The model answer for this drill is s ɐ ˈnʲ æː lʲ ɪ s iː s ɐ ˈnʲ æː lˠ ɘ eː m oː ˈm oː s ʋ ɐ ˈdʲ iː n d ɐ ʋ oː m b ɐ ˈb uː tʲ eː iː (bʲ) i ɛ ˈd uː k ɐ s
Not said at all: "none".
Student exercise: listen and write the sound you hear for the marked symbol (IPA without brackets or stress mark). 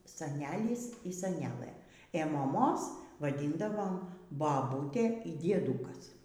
dʲ